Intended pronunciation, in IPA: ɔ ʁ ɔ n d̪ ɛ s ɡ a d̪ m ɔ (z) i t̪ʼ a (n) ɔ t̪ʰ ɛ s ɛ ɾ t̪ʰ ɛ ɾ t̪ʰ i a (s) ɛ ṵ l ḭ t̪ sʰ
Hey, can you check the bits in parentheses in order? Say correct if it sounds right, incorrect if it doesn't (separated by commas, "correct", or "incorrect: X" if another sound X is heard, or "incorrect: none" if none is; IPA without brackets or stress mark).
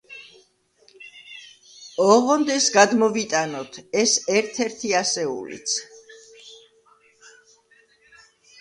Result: incorrect: v, correct, correct